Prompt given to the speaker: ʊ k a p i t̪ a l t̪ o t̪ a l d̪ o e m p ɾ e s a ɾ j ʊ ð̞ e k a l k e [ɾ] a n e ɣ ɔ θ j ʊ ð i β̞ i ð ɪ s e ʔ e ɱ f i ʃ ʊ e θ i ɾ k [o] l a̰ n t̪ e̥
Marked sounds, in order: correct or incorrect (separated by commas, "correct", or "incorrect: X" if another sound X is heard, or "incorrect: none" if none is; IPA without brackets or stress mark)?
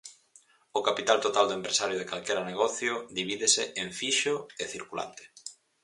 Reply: correct, incorrect: u